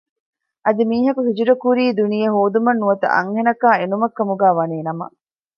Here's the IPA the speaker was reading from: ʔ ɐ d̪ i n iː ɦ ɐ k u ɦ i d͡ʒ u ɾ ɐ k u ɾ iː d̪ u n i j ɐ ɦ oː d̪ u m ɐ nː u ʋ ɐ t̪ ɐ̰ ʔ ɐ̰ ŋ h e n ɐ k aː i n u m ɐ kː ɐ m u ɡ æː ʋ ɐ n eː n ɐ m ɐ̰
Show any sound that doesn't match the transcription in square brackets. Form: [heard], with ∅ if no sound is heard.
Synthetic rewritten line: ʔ ɐ d̪ i [m] iː ɦ ɐ k u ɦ i d͡ʒ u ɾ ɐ k u ɾ iː d̪ u n i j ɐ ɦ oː d̪ u m ɐ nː u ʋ ɐ t̪ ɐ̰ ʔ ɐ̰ ŋ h e n ɐ k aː [e] n u m ɐ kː ɐ m u ɡ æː ʋ ɐ n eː n ɐ m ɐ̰